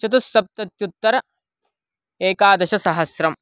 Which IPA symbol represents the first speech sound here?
ɐ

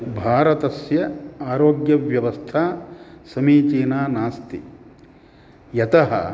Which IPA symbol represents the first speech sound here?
bʱ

